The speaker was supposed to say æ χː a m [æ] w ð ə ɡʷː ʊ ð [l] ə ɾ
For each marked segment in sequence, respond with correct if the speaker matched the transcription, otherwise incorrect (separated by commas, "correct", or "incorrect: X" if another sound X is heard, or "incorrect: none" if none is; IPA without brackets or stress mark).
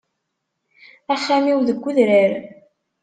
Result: incorrect: i, incorrect: ɾ